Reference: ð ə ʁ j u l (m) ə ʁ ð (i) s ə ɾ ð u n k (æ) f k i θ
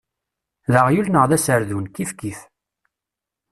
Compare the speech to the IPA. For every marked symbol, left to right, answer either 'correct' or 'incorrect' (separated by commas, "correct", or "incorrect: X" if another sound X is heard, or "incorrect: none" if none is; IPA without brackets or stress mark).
incorrect: n, incorrect: æ, incorrect: i